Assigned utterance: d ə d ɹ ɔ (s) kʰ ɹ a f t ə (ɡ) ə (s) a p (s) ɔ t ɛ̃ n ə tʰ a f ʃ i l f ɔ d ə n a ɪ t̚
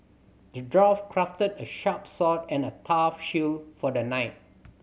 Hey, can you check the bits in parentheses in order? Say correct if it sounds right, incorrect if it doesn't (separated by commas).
incorrect, incorrect, incorrect, correct